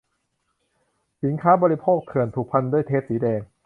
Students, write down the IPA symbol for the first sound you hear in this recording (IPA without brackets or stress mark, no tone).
s